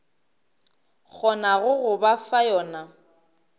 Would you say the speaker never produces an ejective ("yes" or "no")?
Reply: yes